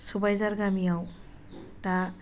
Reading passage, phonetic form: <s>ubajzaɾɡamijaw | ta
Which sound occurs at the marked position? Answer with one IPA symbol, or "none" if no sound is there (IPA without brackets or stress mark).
s